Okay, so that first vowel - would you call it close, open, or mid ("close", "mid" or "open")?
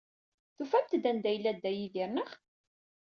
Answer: close